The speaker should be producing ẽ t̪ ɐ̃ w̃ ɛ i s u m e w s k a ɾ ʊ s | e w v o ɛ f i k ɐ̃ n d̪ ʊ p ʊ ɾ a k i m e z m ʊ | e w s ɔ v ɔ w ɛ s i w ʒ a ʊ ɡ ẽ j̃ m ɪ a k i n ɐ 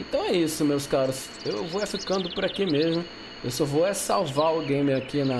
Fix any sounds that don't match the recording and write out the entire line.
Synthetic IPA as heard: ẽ t̪ ɐ̃ w̃ ɛ i s ʊ m e w s k a ɾ ʊ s | e w v o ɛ f i k ɐ̃ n d̪ ʊ p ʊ ɾ a k i m e z m ʊ | e w s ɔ v o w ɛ s a w v a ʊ ɡ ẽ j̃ m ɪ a k i n ɐ